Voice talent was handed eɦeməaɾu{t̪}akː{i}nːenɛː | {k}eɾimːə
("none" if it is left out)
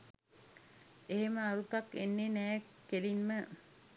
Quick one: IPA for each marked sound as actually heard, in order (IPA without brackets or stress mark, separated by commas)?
t̪, e, k